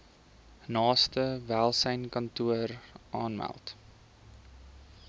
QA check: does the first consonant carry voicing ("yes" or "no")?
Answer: yes